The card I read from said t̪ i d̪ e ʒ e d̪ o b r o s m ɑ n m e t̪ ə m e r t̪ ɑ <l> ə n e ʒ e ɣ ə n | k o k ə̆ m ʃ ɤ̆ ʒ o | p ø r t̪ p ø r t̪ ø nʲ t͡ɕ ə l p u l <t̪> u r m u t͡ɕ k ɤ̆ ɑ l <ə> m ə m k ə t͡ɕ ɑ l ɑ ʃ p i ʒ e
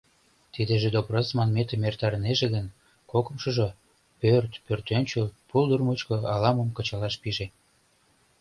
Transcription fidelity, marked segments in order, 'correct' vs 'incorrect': incorrect: ɾ, incorrect: d̪, incorrect: ɑ

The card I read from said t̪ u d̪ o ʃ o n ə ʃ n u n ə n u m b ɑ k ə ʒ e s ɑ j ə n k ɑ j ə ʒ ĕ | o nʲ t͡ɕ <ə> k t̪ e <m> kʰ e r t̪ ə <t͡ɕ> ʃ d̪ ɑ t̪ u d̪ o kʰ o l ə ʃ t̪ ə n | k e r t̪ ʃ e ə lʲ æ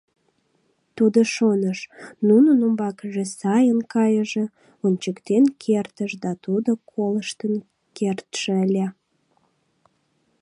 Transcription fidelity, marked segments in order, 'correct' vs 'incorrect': correct, incorrect: n, incorrect: none

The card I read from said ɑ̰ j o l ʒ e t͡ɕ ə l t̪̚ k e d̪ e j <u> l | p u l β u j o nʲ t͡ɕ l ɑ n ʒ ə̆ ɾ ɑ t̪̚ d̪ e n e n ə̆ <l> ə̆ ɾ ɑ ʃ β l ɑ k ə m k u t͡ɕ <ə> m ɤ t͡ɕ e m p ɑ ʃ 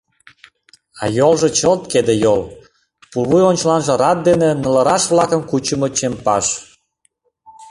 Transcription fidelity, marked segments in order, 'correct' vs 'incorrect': incorrect: o, correct, correct

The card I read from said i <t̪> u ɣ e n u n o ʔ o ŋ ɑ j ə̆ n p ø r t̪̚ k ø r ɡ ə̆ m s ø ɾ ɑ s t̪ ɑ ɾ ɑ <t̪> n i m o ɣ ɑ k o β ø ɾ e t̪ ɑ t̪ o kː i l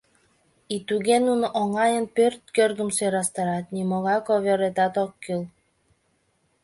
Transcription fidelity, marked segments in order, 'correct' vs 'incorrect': correct, correct

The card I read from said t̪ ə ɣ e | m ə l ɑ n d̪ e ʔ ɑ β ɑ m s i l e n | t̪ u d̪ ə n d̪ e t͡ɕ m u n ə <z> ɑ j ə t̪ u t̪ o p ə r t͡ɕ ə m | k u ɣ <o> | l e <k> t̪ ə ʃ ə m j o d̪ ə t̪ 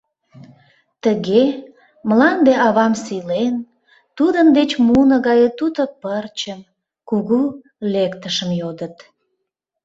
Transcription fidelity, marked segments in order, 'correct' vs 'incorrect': incorrect: ɣ, incorrect: u, correct

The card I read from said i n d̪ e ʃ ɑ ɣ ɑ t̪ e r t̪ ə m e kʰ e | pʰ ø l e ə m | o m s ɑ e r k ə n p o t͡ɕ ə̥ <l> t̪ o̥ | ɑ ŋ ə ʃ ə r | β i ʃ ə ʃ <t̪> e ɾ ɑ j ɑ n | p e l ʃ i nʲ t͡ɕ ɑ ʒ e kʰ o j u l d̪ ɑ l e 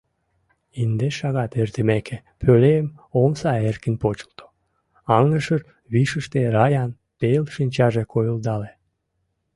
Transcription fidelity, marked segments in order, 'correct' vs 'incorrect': correct, correct

